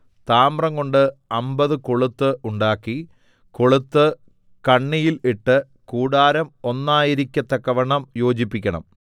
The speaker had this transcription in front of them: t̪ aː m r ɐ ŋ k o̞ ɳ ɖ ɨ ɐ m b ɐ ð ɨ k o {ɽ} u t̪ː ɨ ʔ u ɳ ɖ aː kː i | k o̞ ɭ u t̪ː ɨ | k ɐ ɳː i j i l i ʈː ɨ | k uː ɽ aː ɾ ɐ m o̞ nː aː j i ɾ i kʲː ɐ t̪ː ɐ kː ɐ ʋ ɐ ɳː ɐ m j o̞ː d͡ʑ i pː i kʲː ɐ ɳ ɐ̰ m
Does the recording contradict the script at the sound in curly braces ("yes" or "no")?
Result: yes